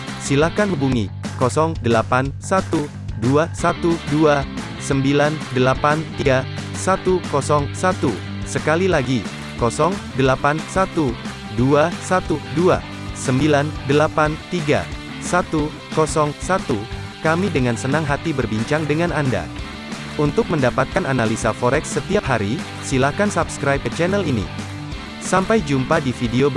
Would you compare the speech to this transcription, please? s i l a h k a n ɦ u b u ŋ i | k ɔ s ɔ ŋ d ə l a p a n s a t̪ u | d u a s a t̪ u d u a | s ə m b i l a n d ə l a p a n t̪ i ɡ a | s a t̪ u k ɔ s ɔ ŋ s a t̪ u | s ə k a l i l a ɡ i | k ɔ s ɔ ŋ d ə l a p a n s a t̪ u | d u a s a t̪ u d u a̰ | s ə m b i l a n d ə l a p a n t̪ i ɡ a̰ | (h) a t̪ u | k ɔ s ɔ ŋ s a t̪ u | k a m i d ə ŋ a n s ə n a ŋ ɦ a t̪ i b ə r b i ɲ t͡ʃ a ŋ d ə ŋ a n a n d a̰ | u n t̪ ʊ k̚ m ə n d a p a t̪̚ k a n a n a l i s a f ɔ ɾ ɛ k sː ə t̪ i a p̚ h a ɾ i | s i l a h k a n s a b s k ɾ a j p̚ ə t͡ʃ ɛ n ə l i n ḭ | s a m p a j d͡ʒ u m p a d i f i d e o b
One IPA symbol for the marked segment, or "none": s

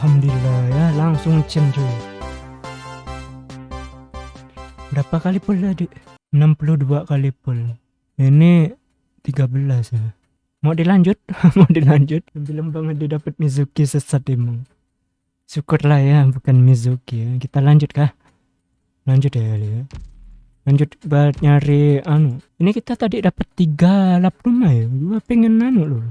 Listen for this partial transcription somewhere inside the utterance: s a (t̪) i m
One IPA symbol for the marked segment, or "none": t̪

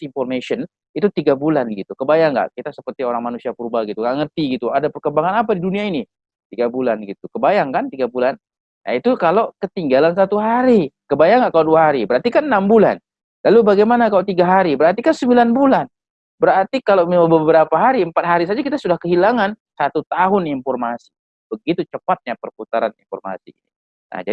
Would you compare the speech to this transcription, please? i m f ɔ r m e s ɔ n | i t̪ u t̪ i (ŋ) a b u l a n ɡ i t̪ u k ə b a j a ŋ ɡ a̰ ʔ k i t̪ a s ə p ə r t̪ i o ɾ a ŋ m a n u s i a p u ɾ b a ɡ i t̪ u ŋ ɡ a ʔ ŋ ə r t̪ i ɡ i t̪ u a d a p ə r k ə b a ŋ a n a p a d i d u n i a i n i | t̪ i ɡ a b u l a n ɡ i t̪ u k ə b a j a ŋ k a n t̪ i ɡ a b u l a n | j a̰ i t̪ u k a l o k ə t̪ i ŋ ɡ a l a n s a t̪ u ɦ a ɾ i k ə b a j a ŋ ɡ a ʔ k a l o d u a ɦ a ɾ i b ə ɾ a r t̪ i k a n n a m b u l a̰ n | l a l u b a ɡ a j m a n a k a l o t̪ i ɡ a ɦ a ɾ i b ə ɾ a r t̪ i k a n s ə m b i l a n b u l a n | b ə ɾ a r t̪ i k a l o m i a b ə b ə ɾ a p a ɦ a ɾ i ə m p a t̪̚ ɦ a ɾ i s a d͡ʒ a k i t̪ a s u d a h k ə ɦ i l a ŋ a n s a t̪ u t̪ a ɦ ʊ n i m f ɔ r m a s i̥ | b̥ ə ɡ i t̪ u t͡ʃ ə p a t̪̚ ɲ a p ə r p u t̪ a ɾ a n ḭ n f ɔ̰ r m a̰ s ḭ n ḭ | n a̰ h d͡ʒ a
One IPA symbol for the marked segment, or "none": ɡ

